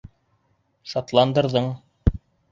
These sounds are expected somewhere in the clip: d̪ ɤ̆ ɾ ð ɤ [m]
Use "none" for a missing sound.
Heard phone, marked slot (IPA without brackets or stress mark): ɴ